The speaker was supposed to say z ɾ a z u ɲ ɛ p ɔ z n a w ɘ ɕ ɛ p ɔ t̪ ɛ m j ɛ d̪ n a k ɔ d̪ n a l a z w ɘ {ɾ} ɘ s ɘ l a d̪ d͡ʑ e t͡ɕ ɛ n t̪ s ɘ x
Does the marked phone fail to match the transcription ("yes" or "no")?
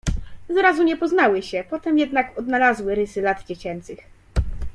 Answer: no